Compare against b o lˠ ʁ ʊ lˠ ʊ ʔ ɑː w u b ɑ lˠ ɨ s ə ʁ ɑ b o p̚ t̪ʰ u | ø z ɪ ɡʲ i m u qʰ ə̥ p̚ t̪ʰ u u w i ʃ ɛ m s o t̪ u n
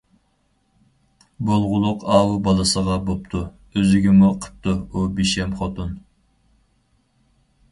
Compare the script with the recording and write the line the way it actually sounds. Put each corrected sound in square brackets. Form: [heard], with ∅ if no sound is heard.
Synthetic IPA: b o lˠ ʁ ʊ lˠ ʊ [q] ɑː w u b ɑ lˠ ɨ s ə ʁ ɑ b o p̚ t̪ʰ u | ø z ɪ ɡʲ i m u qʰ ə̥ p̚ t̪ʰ u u [b] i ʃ ɛ m [χ] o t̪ u n